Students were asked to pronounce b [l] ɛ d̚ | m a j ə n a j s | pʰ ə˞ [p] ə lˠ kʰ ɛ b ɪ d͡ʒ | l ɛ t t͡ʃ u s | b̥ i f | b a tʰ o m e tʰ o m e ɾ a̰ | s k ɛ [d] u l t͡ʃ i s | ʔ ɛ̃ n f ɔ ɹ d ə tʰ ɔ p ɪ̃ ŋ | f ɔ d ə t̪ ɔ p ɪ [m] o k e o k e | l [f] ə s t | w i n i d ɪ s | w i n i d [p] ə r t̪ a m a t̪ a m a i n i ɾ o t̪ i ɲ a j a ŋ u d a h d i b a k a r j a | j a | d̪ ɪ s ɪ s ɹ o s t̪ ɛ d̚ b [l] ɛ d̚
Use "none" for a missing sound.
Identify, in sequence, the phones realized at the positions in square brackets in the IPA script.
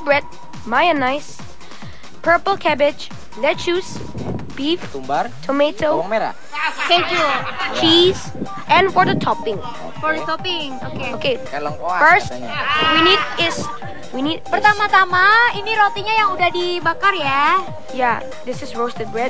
ɹ, p, d͡ʒ, ŋ, f, p, ɹ

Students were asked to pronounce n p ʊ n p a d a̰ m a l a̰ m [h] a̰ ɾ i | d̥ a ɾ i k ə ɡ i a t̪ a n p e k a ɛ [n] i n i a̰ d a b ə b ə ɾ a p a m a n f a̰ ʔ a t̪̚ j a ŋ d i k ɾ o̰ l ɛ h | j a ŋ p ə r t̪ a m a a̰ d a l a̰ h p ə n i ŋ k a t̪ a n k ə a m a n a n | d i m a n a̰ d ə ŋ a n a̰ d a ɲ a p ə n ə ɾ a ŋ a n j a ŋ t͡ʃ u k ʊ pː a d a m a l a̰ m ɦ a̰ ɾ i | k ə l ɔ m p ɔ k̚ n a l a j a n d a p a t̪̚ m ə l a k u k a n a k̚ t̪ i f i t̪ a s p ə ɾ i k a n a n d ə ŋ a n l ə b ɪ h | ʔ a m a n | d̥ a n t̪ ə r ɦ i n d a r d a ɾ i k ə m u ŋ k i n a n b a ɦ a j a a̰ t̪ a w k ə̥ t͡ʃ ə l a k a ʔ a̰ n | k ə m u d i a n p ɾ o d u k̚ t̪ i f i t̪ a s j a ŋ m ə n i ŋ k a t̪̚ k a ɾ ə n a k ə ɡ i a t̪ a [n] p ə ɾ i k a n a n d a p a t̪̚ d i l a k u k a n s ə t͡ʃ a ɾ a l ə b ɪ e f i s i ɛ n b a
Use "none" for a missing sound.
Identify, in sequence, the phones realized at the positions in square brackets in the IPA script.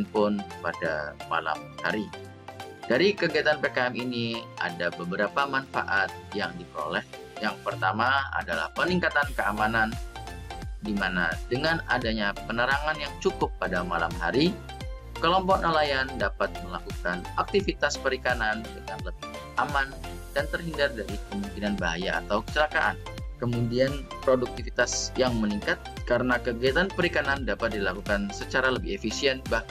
h, m, n

